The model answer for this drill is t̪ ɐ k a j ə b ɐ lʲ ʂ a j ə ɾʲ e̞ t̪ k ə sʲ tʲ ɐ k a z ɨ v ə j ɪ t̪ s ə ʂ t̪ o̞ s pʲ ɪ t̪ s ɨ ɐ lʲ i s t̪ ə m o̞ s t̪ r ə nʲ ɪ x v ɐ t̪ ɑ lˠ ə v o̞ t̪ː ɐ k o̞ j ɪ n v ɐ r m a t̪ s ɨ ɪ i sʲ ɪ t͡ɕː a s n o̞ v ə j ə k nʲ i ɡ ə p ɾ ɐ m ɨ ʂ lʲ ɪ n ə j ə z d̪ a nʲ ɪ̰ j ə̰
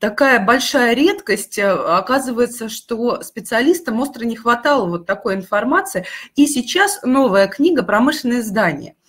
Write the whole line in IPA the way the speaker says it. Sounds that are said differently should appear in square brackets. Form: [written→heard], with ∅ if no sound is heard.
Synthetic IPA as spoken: t̪ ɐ k a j ə b ɐ lʲ ʂ a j ə ɾʲ e̞ t̪ k ə sʲ tʲ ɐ k a z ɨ v ə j ɪ t̪ s ə ʂ t̪ o̞ s pʲ ɪ t̪ s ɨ ɐ lʲ i s t̪ ə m o̞ s t̪ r ə nʲ ɪ x v ɐ t̪ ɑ lˠ ə v o̞ t̪ː ɐ k o̞ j ɪ n [v→f] ɐ r m a t̪ s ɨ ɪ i sʲ ɪ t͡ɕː a s n o̞ v ə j ə k nʲ i ɡ ə p ɾ ɐ m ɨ ʂ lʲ ɪ n ə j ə z d̪ a nʲ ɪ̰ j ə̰